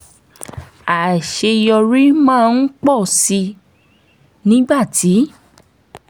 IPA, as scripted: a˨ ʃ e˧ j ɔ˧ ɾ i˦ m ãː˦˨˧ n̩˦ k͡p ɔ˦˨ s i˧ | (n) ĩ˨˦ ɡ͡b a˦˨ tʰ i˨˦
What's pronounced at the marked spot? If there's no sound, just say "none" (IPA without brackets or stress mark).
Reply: n